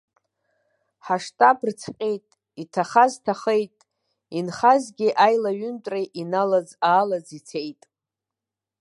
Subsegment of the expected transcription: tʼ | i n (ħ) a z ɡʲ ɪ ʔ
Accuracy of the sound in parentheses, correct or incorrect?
incorrect: χ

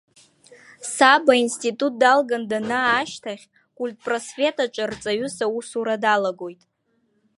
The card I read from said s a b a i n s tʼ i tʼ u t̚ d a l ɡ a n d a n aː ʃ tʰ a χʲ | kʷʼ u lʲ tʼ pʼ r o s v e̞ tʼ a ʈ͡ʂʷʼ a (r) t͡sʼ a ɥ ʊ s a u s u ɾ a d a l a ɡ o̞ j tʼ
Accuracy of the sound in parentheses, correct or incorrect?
correct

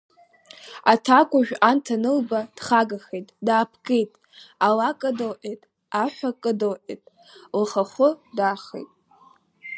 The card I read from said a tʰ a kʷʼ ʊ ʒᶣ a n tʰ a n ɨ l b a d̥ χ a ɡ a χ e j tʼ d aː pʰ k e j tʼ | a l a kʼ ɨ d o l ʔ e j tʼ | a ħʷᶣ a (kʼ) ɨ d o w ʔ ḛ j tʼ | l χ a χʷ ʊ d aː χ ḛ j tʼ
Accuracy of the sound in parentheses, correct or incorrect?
correct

